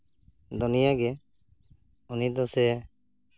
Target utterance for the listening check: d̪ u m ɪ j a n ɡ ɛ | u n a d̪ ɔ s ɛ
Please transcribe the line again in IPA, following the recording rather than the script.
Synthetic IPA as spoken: d̪ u n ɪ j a ɡ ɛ | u n i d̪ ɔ s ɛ